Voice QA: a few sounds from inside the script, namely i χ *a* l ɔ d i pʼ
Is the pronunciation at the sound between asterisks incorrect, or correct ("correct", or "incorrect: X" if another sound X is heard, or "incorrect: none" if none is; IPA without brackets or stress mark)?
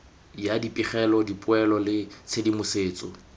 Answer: incorrect: ɛ